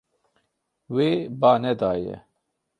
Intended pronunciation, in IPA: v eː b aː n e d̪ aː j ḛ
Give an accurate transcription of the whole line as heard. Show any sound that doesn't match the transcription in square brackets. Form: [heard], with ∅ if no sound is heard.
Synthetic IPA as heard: [w] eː b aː n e d̪ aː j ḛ